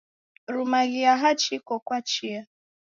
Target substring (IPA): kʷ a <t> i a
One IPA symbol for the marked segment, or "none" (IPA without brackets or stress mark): t͡ʃ